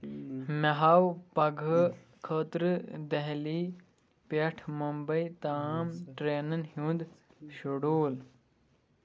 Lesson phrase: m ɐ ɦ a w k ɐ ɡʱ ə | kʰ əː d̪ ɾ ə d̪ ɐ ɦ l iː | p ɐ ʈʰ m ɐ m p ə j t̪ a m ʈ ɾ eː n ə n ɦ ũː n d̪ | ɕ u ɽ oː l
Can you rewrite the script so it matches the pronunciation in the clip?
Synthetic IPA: m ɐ ɦ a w p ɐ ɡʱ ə | kʰ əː t̪ ɾ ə d̪ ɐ ɦ l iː | p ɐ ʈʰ m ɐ m b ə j t̪ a m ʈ ɾ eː n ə n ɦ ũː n d̪ | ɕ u ɽ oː l